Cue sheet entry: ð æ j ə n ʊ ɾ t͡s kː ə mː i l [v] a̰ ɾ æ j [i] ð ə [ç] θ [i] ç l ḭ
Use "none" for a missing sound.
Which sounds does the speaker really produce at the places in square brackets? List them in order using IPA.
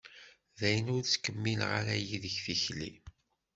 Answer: ʁ, i, ç, i

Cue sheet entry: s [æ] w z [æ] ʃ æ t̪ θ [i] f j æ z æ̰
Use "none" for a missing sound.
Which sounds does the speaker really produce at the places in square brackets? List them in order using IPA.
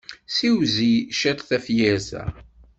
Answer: i, i, æ

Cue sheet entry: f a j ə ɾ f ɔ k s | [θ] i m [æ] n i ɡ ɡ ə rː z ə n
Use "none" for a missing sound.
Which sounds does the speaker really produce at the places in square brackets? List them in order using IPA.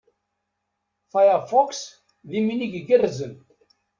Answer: ð, i

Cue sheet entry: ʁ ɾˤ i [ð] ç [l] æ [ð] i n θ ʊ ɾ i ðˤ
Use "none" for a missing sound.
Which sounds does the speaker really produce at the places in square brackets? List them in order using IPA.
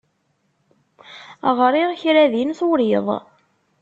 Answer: ʁ, ɾ, ð

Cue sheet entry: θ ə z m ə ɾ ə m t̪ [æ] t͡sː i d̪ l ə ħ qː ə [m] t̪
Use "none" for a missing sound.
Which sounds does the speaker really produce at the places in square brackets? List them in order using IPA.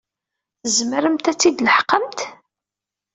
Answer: æ, m

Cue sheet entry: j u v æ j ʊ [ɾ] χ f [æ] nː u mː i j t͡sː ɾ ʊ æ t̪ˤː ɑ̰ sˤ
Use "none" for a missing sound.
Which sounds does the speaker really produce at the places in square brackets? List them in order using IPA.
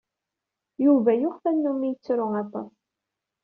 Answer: none, æ

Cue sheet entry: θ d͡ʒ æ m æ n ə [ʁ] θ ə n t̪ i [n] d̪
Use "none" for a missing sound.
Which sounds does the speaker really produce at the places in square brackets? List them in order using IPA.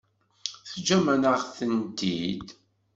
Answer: ʁ, none

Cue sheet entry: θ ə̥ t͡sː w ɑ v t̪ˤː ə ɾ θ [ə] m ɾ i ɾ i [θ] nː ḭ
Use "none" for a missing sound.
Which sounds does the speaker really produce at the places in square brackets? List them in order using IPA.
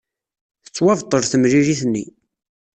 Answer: ə, θ

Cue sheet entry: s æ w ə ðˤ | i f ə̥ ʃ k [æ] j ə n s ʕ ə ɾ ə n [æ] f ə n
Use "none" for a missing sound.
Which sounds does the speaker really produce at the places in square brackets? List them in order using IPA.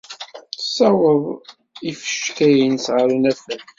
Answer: æ, æ

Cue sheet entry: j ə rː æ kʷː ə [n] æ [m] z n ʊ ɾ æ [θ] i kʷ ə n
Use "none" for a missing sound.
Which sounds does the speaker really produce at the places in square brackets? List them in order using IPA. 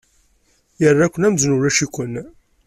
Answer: n, m, ʃ

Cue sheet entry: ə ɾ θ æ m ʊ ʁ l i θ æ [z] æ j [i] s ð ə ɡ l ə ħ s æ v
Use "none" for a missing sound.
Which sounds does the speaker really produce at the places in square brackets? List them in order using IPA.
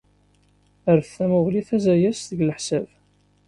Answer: z, æ

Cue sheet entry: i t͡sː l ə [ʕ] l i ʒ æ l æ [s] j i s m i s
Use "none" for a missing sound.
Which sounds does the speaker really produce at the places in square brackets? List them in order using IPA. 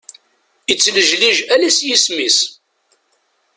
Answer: ʒ, s

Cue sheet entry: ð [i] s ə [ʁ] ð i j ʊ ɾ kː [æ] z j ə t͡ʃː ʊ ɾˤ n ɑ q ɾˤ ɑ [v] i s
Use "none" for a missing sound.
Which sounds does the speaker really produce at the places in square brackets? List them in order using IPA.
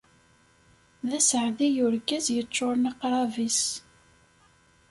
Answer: æ, ʕ, æ, v

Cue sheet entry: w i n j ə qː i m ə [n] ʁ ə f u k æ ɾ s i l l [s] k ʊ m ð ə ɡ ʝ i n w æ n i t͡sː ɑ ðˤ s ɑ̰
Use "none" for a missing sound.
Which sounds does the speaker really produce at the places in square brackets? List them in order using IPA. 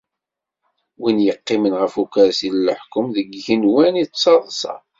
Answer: n, ħ

